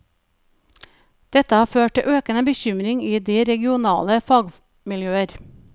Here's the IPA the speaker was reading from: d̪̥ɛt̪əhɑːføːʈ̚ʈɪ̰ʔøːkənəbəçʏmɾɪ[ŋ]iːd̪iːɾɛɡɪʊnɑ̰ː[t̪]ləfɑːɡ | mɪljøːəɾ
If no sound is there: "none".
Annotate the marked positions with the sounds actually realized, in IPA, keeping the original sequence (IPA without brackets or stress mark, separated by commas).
ŋ, none